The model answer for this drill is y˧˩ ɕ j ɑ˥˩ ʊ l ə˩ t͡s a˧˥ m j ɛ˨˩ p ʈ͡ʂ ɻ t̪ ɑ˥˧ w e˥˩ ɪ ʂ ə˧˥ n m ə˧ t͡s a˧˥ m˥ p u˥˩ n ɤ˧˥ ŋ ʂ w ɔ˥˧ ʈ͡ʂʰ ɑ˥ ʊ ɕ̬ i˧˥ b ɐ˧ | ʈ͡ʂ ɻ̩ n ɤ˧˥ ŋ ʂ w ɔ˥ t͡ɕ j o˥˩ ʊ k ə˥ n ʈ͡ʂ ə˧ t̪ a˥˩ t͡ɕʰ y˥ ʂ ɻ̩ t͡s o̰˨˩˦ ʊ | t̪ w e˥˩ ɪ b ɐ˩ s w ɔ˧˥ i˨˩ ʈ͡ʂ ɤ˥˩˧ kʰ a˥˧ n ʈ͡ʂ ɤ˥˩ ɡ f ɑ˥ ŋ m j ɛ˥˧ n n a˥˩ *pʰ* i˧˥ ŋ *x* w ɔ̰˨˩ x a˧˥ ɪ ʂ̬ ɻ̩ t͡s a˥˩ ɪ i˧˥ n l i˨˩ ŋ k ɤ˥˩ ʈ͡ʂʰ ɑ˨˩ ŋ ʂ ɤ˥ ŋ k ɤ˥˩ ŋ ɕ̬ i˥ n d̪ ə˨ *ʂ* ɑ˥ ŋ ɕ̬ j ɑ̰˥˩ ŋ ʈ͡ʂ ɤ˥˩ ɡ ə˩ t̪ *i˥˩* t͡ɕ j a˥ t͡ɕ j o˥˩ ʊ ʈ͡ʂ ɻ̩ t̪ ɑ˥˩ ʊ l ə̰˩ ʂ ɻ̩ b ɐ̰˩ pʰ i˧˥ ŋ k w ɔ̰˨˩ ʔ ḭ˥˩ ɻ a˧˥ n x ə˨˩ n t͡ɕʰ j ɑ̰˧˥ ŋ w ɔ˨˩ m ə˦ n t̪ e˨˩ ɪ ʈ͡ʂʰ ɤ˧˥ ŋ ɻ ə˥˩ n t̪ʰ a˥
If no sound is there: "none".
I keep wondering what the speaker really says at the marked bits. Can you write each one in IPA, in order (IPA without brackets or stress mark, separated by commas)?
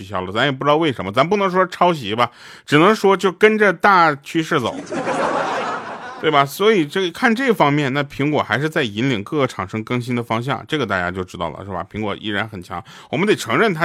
pʰ, k, f, a˥˩